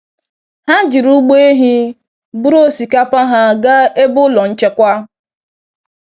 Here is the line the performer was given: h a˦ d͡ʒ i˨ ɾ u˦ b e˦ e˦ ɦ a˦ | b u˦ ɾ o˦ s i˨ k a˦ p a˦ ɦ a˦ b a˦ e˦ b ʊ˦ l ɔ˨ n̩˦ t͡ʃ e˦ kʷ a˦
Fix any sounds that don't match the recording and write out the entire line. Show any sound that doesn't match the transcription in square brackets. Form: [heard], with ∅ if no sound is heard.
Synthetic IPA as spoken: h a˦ d͡ʒ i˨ ɾ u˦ [ɡ͡b] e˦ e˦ ɦ [i˦] | b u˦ ɾ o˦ s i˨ k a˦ p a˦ ɦ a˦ [ɡ] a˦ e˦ b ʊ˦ l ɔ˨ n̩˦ t͡ʃ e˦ kʷ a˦